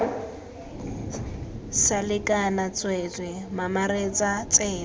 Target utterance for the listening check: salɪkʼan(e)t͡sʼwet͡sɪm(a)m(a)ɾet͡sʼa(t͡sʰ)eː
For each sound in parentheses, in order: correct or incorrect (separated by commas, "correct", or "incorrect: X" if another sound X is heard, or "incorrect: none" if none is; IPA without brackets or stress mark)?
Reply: incorrect: a, correct, correct, incorrect: t͡s